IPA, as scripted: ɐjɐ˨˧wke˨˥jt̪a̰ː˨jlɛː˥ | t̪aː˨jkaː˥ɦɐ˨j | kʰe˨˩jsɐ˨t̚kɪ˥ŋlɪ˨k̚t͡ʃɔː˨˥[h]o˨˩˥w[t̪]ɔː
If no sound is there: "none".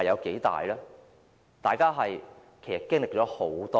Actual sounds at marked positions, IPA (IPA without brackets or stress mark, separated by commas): h, t̪